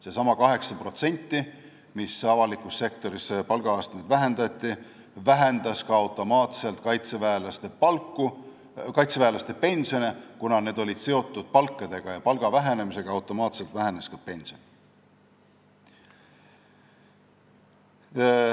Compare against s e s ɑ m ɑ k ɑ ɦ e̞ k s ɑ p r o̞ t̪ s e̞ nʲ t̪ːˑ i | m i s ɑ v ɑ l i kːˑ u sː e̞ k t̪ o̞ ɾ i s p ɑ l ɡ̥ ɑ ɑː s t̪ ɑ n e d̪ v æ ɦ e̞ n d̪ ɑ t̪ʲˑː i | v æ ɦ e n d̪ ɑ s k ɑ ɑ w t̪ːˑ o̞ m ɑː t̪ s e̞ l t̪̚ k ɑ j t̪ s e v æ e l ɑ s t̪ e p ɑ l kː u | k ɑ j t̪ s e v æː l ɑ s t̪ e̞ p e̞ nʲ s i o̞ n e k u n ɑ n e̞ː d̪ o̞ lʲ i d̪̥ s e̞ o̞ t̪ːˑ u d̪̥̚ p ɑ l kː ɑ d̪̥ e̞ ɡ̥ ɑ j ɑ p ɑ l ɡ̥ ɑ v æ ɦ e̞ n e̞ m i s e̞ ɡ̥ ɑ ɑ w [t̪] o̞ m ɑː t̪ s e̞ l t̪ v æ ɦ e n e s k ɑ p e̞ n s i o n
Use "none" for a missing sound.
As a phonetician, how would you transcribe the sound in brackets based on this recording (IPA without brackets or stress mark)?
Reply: t̪